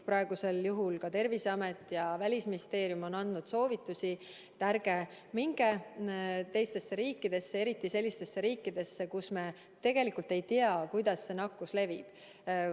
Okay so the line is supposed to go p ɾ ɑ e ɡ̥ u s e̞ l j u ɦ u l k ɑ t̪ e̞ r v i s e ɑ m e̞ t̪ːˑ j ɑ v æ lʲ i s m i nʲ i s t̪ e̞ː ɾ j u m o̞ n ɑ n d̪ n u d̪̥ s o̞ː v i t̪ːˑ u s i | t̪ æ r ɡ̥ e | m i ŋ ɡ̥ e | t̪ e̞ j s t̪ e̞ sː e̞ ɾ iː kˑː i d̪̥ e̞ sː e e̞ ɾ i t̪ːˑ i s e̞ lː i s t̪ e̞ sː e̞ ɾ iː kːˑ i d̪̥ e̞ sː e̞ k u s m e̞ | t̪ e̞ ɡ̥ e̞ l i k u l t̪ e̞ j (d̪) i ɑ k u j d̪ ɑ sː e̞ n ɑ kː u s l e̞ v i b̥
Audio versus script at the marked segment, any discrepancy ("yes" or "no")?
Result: yes